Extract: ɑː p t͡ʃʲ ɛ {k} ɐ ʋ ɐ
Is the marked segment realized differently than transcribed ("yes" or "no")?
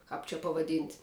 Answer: yes